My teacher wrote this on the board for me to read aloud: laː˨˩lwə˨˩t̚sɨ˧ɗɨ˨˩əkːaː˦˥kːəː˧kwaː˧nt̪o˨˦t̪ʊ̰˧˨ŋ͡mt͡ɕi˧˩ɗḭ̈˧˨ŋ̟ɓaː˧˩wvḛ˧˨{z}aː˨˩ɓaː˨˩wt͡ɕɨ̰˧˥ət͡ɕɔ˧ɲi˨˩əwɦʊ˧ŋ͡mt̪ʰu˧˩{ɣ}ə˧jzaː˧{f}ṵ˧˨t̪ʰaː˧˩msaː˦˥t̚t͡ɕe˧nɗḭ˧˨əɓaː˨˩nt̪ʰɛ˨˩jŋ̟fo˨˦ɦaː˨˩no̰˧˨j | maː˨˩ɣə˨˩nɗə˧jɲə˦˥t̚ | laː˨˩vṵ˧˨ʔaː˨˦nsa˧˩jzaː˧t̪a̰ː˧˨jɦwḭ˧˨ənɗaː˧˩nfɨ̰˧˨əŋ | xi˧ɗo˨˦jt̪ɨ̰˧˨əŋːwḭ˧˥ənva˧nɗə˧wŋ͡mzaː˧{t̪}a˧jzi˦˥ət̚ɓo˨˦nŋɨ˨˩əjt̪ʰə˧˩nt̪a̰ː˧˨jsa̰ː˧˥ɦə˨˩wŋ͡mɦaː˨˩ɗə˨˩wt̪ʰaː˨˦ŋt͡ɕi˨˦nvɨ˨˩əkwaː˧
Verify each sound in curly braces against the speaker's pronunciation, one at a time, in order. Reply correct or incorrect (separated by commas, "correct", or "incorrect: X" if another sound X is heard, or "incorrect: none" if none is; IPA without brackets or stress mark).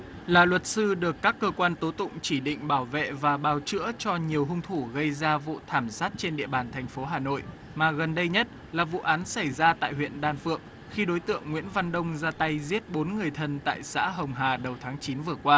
incorrect: v, correct, incorrect: v, correct